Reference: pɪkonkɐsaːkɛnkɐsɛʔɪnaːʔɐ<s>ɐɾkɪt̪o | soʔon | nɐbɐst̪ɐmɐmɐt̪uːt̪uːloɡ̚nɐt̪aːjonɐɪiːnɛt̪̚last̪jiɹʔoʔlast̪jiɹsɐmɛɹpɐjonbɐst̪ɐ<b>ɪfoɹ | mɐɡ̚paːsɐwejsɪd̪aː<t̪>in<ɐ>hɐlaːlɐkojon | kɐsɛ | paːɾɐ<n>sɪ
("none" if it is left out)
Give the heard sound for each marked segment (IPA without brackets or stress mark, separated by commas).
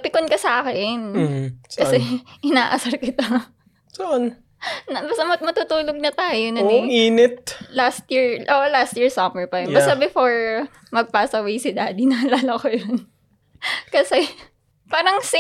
s, b, d̪, ɐ, ŋ